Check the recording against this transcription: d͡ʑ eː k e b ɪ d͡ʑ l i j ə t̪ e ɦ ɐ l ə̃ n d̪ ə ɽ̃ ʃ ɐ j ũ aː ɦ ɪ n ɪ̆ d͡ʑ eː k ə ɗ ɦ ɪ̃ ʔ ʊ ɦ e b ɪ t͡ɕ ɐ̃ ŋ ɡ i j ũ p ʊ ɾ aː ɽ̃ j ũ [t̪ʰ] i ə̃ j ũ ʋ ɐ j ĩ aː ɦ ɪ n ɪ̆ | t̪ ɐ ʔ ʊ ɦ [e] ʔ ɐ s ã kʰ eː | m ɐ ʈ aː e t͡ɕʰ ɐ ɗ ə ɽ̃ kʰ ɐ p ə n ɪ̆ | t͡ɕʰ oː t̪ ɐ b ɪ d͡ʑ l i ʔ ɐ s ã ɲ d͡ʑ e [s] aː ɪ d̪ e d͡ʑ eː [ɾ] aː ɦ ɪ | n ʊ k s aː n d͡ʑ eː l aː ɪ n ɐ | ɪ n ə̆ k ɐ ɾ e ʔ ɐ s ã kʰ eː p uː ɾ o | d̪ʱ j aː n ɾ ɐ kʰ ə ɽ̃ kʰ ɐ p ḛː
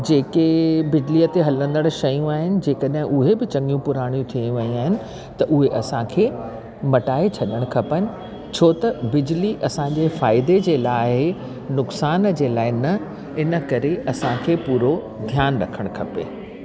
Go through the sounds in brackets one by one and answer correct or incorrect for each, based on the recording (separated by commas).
correct, correct, incorrect, incorrect